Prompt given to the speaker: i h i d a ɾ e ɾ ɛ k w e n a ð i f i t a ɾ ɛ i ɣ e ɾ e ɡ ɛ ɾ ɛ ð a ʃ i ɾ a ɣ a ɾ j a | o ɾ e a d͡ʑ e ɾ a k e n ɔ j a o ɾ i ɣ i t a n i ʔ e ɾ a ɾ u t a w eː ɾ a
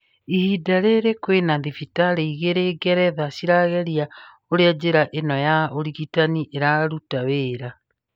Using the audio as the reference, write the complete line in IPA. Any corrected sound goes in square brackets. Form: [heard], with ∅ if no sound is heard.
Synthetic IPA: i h i d a ɾ e ɾ [e] k w e n a ð i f i t a ɾ [e] i ɣ e ɾ e ɡ ɛ ɾ ɛ ð a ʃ i ɾ a ɣ [ɛ] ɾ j a | o ɾ e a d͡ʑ e ɾ a [ʔ] e n ɔ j a o ɾ i ɣ i t a n i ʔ e ɾ a ɾ u t a w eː ɾ a